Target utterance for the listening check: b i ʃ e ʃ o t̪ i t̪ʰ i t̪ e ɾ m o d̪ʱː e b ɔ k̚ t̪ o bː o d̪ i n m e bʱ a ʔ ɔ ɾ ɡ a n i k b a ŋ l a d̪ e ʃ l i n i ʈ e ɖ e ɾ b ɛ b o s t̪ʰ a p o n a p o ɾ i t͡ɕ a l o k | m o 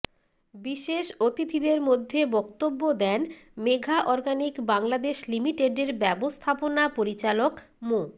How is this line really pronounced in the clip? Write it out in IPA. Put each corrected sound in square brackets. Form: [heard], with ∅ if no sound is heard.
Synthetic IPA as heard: b i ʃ e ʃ o t̪ i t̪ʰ i [d̪] e ɾ m o d̪ʱː e b ɔ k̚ t̪ o bː o d̪ [ɛ] n m e [ɡʱ] a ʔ ɔ ɾ ɡ a n i k b a ŋ l a d̪ e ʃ l i [m] i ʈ e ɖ e ɾ b ɛ b o s t̪ʰ a p o n a p o ɾ i t͡ɕ a l o k | m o